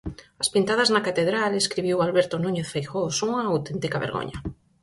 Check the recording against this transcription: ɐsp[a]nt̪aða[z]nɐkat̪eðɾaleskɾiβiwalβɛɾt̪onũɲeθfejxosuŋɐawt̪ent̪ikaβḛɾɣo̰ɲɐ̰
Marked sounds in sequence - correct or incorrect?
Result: incorrect: i, correct

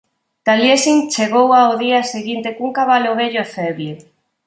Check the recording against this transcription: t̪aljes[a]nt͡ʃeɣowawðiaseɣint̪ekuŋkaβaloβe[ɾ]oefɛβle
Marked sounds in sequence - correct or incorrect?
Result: incorrect: i, incorrect: ʎ

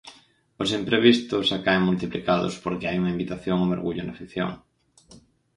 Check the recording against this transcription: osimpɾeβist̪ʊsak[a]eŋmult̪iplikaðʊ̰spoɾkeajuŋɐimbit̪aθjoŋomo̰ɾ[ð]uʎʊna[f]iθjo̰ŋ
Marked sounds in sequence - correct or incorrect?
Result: correct, incorrect: ɣ, correct

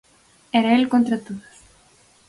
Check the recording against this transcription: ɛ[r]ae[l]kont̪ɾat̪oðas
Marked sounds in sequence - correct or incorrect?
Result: incorrect: ɾ, correct

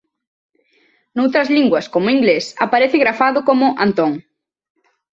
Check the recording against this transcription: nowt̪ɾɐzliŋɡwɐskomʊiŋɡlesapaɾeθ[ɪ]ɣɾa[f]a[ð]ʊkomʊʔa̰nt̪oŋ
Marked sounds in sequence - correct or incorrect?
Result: correct, correct, correct

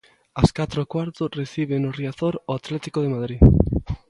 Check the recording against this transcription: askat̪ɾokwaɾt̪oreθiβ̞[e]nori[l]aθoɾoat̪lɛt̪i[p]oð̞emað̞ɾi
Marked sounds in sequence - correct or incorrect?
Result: correct, incorrect: none, incorrect: k

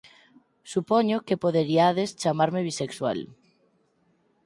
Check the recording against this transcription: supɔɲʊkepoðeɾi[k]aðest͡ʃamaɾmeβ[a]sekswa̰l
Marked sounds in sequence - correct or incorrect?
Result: incorrect: none, incorrect: i

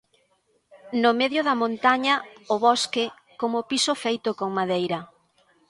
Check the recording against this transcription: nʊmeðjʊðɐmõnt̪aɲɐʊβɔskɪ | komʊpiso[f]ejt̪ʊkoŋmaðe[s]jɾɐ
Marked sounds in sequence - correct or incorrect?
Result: correct, incorrect: none

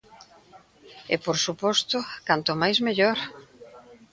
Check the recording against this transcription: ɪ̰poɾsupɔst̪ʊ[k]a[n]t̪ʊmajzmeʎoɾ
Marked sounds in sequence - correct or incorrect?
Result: correct, correct

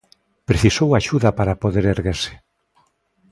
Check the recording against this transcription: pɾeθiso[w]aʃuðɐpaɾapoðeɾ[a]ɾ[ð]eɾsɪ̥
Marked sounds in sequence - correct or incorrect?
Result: correct, incorrect: e, incorrect: ɣ

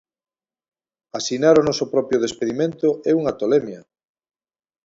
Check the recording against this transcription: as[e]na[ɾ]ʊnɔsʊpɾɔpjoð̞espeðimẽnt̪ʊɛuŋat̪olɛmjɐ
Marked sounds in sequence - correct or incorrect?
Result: incorrect: i, correct

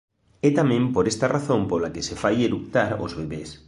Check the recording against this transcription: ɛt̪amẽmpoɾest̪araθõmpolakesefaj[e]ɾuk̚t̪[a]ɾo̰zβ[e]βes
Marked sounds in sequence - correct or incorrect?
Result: correct, correct, correct

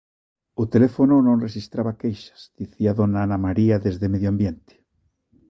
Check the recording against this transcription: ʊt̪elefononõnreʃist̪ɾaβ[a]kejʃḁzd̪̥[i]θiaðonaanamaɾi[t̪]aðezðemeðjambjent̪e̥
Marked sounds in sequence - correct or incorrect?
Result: correct, correct, incorrect: none

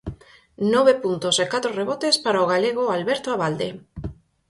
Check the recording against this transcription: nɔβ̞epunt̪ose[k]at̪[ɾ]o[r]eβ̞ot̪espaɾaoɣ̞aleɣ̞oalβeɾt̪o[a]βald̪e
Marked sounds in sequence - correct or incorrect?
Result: correct, correct, correct, correct

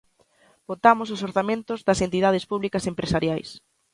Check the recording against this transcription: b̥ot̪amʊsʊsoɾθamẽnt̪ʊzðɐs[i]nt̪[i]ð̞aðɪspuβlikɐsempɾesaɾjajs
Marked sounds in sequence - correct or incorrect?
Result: incorrect: e, correct

